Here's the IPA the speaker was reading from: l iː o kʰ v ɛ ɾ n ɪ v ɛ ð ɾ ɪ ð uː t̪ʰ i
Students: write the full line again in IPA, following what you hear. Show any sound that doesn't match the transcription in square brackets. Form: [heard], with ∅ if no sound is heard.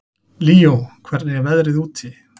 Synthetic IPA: l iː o kʰ v ɛ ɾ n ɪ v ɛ ð ɾ ɪ ð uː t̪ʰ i